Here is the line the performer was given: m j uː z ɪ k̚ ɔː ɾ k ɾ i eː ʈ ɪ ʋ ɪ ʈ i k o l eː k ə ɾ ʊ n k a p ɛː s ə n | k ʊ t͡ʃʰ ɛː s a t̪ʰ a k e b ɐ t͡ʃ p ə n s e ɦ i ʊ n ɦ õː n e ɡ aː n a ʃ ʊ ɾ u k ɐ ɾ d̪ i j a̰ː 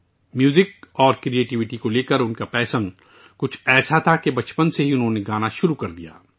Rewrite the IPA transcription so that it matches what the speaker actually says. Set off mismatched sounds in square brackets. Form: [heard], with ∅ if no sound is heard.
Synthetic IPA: m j uː z ɪ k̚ ɔː ɾ k ɾ i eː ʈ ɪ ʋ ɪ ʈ i k o l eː k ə ɾ ʊ n k a p ɛː s ə n | k ʊ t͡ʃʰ ɛː s a t̪ʰ a k e b ɐ t͡ʃ p ə n s e ɦ i ʊ n ɦ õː n e ɡ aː n a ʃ ʊ ɾ u k ɐ ɾ d̪ i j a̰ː